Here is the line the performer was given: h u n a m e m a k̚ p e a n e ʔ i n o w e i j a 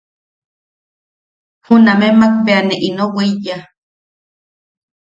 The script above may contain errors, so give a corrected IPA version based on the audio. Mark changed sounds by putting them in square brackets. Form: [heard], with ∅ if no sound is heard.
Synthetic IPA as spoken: h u n a m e m a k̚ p e a n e ʔ i n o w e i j a